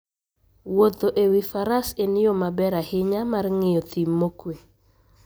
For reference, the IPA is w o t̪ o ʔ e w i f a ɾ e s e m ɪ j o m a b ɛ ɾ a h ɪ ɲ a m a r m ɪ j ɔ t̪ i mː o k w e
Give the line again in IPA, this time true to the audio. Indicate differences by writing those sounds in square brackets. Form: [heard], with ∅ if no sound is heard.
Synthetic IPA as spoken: w o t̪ o ʔ e w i f a ɾ [a] s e [n] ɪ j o m a b ɛ ɾ a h ɪ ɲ a m a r [ŋ] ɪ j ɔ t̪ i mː o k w e